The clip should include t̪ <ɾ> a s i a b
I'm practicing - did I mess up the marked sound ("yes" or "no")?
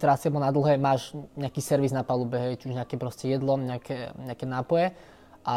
no